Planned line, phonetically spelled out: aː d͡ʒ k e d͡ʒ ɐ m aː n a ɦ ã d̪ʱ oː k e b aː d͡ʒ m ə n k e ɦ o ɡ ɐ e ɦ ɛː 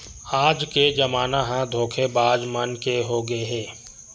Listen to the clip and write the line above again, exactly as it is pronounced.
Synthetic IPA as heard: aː d͡ʒ k e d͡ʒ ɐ m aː n a ɦ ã d̪ʱ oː kʰ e b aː d͡ʒ m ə n k e ɦ o ɡ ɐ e ɦ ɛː